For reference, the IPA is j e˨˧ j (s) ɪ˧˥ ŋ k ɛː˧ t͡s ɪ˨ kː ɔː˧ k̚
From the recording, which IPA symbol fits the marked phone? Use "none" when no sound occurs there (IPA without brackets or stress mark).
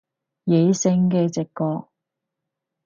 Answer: s